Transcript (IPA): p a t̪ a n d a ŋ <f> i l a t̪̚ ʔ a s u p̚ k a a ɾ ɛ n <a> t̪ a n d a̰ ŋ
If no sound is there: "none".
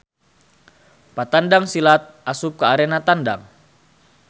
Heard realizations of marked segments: s, a

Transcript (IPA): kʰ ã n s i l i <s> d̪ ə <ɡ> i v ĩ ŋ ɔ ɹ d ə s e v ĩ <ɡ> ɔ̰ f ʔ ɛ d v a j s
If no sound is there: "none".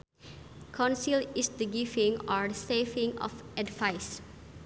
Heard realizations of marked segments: s, ɡ, ŋ

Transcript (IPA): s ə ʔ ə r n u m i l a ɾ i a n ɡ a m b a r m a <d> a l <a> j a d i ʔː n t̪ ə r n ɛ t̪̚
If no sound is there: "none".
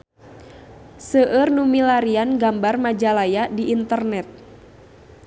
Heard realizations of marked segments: d͡ʒ, a

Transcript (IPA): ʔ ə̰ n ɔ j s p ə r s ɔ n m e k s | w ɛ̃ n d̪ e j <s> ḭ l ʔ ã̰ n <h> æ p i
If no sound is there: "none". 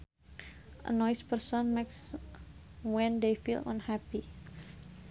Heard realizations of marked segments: f, h

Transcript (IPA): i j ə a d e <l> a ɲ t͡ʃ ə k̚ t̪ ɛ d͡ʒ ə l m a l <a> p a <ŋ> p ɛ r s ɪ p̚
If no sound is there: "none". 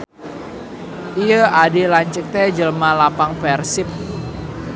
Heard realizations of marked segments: l, a, ŋ

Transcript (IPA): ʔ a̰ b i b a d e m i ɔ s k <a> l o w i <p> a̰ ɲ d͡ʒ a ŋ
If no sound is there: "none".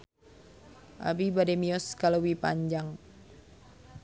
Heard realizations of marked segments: a, p

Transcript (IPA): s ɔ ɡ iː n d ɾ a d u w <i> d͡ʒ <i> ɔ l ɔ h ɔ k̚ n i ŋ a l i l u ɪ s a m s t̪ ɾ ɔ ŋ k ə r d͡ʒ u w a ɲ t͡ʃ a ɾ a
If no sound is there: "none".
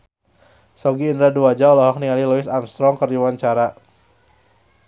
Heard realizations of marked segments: a, a

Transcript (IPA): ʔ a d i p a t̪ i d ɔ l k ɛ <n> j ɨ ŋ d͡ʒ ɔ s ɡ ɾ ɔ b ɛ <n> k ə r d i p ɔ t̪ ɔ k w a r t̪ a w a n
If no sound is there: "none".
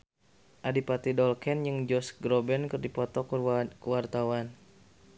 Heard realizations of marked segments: n, n

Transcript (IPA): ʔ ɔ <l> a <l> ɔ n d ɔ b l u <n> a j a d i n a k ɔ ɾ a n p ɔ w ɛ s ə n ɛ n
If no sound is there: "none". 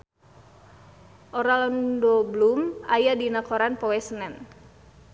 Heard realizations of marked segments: ɾ, l, m

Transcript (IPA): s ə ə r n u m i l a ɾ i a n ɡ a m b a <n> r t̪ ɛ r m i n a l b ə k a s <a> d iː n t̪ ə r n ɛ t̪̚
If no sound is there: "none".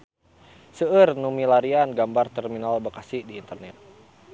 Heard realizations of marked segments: none, i

